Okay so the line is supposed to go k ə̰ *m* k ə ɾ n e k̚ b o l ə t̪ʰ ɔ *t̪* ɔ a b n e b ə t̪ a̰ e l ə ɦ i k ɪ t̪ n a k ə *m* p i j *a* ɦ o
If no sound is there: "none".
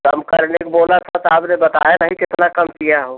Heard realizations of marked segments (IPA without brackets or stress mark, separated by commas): m, t̪, m, a